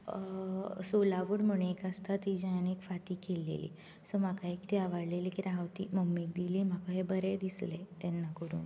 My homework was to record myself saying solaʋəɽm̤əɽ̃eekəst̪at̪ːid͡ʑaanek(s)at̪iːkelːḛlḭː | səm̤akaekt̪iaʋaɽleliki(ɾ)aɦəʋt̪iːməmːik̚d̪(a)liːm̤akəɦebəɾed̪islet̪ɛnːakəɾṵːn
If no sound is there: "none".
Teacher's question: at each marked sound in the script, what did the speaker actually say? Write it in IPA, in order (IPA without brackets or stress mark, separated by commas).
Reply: f, ɾ, i